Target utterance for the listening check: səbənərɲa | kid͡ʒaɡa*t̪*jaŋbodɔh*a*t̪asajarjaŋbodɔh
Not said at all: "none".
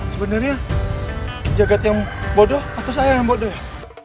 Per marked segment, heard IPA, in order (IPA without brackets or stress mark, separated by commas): t̪, a